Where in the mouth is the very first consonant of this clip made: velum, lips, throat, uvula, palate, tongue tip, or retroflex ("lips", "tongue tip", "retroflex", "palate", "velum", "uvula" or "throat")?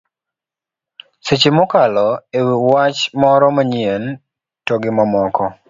tongue tip